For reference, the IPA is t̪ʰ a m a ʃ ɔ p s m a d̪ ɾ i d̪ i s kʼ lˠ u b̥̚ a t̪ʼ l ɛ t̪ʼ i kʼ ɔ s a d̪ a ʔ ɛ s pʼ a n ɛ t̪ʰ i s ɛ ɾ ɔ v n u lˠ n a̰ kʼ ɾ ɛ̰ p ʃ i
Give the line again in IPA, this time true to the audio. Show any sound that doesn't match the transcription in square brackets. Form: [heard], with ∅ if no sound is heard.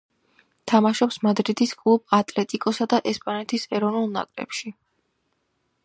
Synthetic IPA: t̪ʰ a m a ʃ ɔ p s m a d̪ ɾ i d̪ i s kʼ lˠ u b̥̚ a t̪ʼ l ɛ t̪ʼ i kʼ ɔ s a d̪ a ʔ ɛ s pʼ a n ɛ t̪ʰ i s ɛ ɾ ɔ v n u lˠ n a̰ kʼ ɾ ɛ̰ p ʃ i